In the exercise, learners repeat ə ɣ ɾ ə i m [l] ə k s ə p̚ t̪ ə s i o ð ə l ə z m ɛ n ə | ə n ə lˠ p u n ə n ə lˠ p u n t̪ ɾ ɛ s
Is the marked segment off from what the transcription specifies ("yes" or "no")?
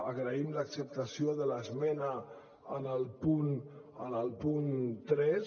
no